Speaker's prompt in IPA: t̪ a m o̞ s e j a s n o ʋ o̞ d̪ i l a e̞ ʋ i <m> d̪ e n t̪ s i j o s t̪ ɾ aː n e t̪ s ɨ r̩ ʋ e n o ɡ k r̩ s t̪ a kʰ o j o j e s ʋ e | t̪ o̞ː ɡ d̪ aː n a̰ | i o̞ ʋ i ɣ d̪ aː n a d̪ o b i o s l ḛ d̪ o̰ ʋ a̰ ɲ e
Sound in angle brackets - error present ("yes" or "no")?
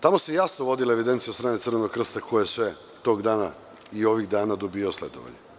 yes